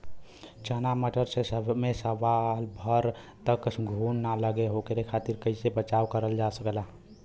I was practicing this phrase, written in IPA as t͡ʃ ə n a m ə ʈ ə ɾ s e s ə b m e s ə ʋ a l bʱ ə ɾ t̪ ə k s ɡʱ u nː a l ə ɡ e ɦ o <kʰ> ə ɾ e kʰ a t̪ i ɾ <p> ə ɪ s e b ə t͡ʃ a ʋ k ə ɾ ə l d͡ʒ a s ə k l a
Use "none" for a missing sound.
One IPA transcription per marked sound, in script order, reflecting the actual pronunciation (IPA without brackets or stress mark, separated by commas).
k, k